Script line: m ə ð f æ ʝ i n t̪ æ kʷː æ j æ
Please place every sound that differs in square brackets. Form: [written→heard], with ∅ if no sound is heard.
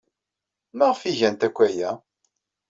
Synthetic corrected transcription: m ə [ð→ʁ] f [æ→i] ʝ [i→æ] n t̪ æ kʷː æ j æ